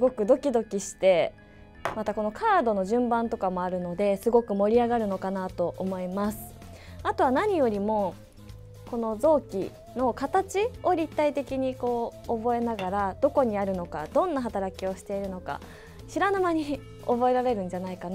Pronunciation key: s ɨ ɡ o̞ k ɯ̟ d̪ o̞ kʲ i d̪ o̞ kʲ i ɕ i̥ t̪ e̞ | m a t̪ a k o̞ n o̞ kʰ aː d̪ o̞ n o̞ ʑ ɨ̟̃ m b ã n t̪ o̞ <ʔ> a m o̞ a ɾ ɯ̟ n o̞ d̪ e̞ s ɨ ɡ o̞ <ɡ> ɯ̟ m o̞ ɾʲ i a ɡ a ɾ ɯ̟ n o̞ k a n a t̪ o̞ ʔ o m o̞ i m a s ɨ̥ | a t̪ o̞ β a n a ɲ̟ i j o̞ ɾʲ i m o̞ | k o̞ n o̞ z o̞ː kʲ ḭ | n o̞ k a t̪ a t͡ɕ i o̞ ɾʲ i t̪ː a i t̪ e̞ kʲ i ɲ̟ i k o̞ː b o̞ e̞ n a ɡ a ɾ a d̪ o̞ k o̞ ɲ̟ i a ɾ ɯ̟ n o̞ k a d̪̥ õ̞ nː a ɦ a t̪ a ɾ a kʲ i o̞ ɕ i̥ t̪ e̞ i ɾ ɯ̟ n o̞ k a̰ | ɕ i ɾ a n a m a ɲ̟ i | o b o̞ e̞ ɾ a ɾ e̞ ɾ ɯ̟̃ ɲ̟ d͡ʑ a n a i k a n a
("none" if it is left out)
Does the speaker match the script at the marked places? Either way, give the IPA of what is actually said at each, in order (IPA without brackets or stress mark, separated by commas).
k, k